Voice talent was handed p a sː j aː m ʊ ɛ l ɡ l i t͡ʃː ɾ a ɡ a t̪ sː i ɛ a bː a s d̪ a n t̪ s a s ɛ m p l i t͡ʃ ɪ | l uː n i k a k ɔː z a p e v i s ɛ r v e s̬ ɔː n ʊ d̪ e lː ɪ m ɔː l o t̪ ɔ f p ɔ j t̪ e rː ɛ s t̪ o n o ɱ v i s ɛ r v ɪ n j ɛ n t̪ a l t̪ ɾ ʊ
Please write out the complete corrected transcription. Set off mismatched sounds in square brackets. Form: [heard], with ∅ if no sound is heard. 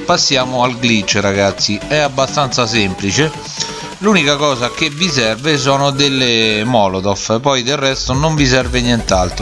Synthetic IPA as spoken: p a sː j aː m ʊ [a] l ɡ l i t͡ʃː ɾ a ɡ a t̪ sː i ɛ a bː a s [t̪] a n t̪ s a s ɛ m p l i t͡ʃ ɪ | l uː n i k a k ɔː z a [k] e v i s ɛ r v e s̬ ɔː n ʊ d̪ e lː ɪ m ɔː l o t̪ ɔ f p ɔ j [d̪] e rː ɛ s t̪ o n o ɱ v i s ɛ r v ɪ n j ɛ n t̪ a l t̪ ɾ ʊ